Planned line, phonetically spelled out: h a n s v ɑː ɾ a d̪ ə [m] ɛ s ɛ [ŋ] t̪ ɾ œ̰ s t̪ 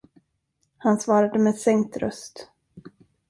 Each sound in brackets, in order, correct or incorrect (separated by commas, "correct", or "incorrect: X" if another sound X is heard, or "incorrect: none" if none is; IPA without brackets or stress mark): correct, correct